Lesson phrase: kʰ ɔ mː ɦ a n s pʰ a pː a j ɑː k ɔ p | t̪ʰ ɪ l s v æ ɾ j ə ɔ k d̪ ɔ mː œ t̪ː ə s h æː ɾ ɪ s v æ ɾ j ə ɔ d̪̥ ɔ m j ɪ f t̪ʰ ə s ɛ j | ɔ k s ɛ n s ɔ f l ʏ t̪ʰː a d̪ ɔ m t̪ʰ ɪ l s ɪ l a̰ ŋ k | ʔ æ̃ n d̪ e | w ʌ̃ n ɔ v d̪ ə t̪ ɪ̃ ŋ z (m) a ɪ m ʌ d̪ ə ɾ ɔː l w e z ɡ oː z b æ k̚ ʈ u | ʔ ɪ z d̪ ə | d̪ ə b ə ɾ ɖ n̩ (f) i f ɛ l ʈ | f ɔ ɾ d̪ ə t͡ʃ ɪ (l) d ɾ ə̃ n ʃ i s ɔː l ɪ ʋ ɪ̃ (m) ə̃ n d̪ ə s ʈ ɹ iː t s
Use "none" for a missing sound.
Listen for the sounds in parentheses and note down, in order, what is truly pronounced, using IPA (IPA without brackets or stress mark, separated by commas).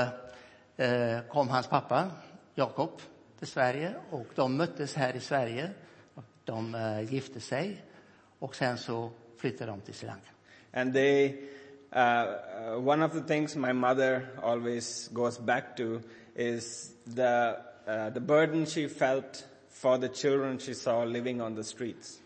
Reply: m, ʃ, l, ŋ